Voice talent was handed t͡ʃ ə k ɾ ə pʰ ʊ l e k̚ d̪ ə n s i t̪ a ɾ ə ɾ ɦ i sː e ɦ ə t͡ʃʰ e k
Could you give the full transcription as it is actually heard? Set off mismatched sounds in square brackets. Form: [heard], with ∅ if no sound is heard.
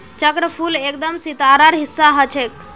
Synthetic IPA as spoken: t͡ʃ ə k ɾ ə pʰ [u] l e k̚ d̪ ə [m] s i t̪ a ɾ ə ɾ ɦ i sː [a] ɦ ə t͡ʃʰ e k